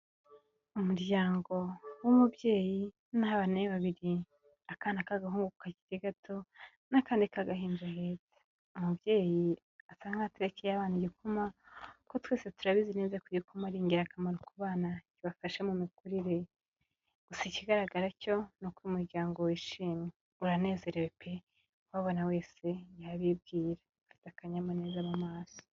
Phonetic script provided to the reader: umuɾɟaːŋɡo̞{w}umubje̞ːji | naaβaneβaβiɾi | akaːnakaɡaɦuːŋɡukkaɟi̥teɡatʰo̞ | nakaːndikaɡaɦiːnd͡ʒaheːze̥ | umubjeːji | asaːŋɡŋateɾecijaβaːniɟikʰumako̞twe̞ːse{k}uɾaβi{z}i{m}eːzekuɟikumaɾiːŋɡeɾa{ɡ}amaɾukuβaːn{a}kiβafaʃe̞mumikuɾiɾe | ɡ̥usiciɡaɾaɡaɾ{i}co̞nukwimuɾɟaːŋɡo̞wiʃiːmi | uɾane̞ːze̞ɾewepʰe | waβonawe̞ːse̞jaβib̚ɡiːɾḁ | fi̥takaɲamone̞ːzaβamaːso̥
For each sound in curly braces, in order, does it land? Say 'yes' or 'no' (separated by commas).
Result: yes, no, yes, no, no, yes, no